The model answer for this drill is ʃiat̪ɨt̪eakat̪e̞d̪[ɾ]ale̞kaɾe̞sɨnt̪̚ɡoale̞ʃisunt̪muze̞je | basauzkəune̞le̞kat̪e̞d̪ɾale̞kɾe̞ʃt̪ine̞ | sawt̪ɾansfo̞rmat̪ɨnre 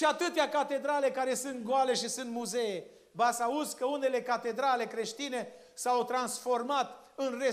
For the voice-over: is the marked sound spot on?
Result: yes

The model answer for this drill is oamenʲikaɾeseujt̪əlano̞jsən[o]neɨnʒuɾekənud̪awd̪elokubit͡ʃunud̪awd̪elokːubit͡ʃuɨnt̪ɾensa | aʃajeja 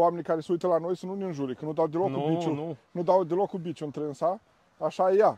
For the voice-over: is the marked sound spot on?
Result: no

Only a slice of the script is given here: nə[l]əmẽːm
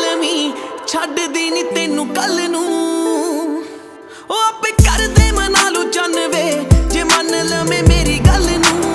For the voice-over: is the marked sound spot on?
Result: yes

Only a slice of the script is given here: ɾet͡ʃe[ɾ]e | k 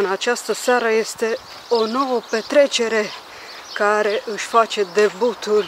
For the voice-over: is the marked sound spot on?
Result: yes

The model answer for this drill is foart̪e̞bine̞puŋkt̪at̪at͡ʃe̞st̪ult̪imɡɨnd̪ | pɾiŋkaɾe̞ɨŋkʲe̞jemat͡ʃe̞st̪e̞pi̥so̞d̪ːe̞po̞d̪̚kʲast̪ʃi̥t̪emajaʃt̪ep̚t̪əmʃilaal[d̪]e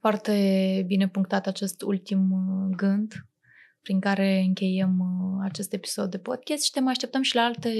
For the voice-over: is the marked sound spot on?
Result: no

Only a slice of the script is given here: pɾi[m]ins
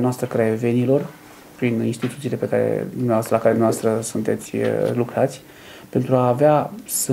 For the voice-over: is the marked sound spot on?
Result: no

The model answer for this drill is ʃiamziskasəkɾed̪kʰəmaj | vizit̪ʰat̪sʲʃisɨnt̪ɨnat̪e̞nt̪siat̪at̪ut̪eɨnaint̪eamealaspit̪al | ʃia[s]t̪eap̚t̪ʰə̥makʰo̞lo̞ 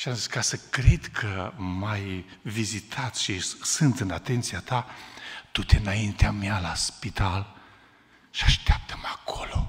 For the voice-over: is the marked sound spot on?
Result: no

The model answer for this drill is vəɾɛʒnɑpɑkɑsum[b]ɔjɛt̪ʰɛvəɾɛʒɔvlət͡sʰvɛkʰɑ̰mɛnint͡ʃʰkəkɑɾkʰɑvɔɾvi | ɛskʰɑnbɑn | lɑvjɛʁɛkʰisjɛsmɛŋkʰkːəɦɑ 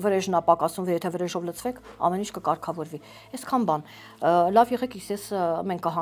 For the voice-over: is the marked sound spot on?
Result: no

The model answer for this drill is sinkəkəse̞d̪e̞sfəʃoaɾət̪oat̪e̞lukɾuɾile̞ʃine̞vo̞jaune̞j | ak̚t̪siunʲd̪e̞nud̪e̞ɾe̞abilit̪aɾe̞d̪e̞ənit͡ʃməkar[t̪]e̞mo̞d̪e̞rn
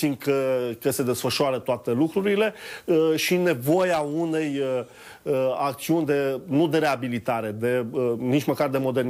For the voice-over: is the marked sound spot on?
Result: no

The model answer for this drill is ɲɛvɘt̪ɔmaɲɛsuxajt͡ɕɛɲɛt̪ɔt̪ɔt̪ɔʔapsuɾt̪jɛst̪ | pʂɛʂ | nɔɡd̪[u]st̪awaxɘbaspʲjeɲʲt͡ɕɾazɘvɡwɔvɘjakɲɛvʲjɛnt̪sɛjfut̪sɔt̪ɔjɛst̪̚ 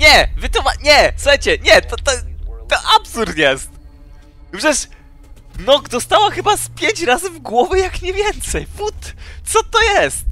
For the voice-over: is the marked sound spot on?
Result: no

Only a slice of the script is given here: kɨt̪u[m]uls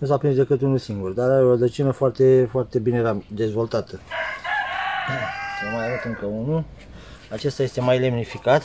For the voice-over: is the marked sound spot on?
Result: no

